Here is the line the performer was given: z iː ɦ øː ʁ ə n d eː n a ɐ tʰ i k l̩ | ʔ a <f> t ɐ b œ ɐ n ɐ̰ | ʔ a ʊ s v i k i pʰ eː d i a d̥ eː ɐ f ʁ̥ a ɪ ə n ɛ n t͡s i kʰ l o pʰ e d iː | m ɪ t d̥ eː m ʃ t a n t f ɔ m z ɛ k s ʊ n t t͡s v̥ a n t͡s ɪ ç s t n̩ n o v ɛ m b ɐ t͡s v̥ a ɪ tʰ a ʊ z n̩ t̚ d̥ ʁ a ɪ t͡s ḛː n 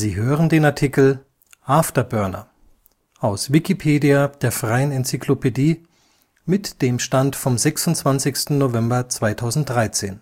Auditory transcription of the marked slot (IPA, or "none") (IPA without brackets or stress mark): f